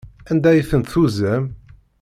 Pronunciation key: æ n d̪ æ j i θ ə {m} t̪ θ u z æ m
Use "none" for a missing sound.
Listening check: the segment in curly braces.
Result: n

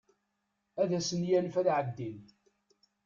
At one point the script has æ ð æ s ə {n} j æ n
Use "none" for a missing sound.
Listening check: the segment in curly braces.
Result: n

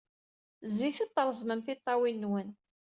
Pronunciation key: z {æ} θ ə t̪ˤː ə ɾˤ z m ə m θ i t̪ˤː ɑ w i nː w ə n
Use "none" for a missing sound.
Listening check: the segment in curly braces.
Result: i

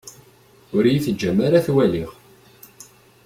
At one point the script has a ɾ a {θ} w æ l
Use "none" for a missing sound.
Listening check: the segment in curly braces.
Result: θ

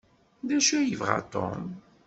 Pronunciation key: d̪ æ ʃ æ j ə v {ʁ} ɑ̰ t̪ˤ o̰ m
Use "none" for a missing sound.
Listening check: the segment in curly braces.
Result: ʁ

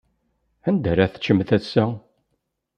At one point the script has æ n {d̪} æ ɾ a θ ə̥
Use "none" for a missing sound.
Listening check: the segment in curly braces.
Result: d̪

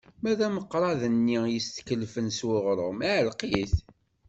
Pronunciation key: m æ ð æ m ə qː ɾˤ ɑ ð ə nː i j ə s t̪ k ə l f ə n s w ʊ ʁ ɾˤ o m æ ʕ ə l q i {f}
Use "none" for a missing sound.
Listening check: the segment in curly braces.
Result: θ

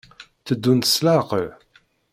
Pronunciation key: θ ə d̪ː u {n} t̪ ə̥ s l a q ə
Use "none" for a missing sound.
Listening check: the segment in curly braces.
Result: n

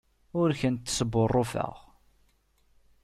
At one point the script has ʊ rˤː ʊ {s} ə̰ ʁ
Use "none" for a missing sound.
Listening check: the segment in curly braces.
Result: f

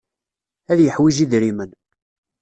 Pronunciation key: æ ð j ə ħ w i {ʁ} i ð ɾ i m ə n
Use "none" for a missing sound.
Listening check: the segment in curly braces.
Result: ʒ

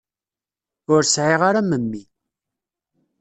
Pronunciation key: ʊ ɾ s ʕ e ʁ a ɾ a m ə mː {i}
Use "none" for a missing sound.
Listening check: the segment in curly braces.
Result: i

